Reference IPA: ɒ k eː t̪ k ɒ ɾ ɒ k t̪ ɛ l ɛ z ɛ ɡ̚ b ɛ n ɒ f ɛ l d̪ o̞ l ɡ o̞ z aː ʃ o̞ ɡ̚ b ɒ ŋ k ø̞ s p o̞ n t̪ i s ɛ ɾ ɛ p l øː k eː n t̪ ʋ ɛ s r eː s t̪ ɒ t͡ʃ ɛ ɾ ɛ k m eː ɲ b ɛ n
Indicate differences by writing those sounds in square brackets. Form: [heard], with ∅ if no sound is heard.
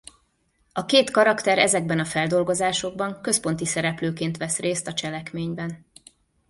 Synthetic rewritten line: ɒ k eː t̪ k ɒ ɾ ɒ k t̪ ɛ [ɾ] ɛ z ɛ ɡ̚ b ɛ n ɒ f ɛ l d̪ o̞ l ɡ o̞ z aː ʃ o̞ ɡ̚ b ɒ ŋ k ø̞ s p o̞ n t̪ i s ɛ ɾ ɛ p l øː k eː n t̪ ʋ ɛ s r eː s t̪ ɒ t͡ʃ ɛ [l] ɛ k m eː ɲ b ɛ n